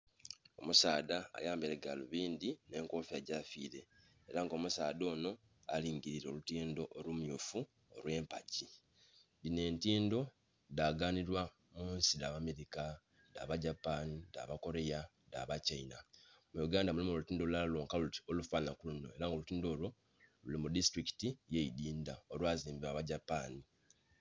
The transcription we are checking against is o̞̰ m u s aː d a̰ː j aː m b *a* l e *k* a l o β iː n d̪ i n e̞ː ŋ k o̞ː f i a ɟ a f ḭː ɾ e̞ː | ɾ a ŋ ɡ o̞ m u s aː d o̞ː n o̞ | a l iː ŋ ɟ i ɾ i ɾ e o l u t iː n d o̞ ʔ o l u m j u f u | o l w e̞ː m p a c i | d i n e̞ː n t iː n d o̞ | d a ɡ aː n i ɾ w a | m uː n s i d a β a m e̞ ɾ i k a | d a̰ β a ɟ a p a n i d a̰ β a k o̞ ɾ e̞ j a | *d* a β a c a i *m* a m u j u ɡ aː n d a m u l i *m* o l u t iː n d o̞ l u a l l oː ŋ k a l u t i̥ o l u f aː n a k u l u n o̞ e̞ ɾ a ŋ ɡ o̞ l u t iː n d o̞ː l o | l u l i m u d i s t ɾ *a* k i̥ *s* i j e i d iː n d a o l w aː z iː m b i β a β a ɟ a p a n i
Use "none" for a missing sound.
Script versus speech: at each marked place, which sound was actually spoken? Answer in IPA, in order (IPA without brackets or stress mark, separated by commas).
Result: e, ɡ, d, n, m, i, t